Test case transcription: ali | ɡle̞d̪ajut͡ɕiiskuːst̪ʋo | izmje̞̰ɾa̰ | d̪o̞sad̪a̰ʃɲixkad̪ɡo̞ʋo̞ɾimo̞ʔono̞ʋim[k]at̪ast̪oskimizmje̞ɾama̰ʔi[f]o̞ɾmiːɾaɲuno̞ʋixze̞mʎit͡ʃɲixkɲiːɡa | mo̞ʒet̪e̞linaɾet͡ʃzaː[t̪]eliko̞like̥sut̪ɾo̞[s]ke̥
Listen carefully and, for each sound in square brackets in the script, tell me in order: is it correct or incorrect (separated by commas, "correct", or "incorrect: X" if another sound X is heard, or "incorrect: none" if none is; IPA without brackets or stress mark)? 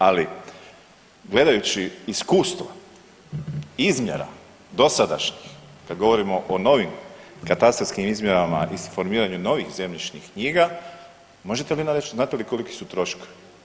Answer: correct, correct, correct, incorrect: ʃ